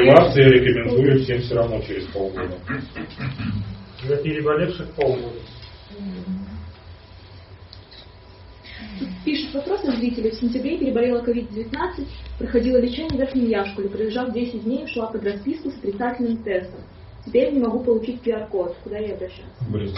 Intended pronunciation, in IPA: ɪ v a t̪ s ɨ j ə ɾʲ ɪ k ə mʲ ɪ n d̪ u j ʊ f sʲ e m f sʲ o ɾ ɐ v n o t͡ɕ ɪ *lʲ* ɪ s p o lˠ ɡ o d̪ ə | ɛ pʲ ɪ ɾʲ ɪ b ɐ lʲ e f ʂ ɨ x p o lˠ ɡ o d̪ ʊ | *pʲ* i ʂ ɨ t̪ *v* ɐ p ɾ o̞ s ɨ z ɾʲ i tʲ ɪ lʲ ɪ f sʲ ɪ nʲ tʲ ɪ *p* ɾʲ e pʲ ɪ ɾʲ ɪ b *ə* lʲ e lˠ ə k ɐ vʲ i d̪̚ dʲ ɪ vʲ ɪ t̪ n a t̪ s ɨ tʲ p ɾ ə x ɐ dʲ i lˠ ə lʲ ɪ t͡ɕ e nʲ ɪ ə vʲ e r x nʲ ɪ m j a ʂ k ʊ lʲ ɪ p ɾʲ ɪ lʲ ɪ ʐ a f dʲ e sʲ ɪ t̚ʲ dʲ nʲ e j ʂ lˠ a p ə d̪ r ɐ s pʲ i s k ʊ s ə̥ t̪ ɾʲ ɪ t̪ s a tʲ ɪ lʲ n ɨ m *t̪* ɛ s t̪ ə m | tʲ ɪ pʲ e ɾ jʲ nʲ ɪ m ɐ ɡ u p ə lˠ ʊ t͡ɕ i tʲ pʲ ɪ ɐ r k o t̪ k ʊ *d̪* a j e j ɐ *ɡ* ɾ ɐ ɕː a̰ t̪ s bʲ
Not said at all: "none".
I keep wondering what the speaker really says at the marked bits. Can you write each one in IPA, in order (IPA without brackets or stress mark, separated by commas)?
ɾʲ, pʲ, v, b, ɐ, t̪, d̪, b